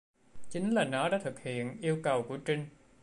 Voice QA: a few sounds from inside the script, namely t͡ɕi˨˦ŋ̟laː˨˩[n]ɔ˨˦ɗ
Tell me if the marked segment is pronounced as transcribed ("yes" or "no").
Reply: yes